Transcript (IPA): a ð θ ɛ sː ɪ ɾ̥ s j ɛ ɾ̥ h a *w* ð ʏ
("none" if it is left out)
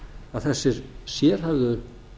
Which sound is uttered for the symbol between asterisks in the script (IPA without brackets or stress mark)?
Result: v